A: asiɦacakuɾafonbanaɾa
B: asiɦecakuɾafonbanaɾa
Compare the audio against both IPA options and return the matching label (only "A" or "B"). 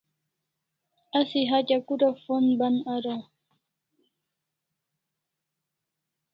A